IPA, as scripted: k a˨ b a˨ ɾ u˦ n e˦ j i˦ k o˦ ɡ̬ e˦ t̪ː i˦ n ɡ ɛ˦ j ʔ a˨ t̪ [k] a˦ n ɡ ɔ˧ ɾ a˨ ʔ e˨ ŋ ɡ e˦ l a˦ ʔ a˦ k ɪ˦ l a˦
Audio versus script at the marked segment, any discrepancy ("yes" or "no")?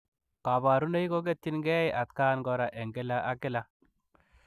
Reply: no